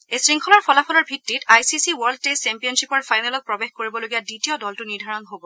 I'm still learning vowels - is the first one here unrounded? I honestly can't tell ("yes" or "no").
yes